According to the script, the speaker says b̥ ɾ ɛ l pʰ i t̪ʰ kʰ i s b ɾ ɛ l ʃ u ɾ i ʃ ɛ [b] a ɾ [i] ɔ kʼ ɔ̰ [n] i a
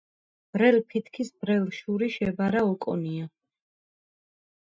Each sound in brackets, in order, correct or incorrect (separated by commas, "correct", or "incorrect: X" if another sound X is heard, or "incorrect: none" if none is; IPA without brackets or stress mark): correct, incorrect: a, correct